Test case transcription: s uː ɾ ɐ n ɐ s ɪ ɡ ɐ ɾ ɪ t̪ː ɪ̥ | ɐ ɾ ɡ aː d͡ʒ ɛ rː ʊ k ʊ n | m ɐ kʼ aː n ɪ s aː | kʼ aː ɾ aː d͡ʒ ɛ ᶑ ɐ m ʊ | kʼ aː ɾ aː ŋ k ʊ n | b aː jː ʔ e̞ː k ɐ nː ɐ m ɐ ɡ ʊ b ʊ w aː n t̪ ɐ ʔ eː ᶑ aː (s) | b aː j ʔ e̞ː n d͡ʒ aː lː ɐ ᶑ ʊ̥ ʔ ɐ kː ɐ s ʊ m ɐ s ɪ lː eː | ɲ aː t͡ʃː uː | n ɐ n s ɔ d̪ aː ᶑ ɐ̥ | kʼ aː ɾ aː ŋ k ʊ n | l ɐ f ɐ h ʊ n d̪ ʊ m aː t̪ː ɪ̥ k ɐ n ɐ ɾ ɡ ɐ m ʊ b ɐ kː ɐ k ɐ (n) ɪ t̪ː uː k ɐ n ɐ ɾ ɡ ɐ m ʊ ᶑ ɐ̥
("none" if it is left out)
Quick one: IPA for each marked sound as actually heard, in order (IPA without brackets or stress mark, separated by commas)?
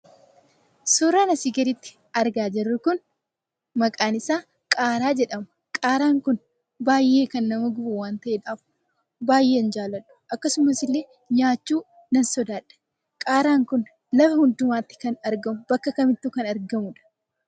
f, m